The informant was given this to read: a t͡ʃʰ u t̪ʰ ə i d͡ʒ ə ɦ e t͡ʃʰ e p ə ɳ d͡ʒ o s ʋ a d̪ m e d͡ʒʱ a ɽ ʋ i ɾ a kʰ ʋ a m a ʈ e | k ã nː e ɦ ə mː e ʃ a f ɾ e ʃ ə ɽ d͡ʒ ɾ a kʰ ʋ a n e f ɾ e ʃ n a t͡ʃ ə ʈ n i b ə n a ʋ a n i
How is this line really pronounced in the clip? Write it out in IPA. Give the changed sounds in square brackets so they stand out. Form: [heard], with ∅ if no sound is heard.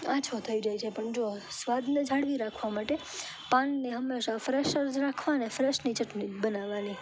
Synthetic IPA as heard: a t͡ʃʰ [o] t̪ʰ ə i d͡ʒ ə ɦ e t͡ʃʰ e p ə ɳ d͡ʒ o s ʋ a d̪ [n] e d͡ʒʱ a ɽ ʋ i ɾ a kʰ ʋ a m a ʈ e | [p] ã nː e ɦ ə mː e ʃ a f ɾ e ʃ ə [ɾ] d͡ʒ ɾ a kʰ ʋ a n e f ɾ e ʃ n [i] t͡ʃ ə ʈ n i b ə n a ʋ a n i